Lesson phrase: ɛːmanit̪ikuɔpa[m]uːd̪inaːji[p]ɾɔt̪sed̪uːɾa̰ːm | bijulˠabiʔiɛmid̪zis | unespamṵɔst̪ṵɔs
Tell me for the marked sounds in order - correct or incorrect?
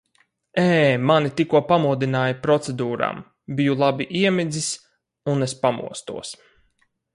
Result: correct, correct

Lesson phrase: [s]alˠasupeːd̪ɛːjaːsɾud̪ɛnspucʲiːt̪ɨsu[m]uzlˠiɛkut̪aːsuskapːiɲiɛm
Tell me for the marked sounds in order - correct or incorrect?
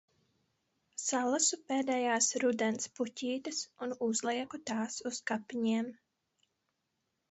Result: correct, incorrect

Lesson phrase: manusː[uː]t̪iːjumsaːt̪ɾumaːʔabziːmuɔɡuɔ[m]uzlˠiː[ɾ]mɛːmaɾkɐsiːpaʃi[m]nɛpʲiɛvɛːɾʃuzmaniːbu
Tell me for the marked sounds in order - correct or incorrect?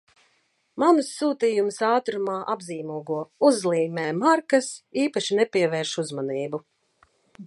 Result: correct, incorrect, incorrect, incorrect

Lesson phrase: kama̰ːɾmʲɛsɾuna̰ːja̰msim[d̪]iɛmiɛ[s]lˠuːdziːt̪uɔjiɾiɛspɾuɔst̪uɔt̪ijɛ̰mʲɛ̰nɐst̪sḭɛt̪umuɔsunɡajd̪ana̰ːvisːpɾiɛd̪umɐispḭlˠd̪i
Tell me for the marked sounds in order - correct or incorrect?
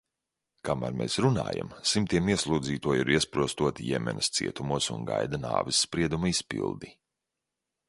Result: incorrect, correct

